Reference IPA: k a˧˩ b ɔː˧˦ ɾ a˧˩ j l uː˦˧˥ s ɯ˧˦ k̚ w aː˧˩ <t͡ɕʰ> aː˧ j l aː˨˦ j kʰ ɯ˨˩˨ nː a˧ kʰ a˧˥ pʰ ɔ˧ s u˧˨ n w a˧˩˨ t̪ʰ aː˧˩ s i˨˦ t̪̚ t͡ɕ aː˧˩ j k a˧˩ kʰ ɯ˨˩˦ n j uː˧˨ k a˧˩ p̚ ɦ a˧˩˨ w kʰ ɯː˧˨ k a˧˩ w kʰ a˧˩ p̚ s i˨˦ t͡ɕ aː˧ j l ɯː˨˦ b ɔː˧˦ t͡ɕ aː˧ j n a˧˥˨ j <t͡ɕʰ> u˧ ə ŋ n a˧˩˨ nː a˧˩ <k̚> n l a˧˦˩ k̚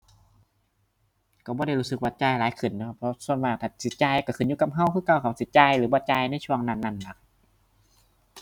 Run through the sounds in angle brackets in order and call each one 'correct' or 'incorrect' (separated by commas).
incorrect, correct, incorrect